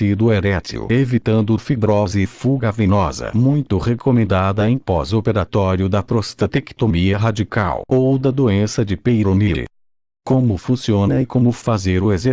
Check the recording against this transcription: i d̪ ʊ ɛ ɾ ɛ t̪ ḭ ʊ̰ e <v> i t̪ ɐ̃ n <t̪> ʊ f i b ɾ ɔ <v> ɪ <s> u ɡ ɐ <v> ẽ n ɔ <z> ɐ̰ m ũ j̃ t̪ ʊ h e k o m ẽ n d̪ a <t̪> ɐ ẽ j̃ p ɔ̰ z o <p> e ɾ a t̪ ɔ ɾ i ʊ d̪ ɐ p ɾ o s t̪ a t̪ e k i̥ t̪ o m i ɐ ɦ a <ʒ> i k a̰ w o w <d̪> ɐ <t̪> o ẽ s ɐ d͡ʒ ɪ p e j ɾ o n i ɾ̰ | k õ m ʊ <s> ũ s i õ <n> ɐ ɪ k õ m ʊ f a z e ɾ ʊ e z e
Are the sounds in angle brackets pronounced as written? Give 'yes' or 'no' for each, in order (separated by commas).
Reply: yes, no, no, no, yes, yes, no, yes, no, yes, no, no, yes